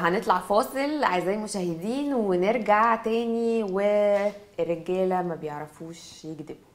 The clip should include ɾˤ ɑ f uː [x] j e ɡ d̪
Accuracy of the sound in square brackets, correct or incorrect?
incorrect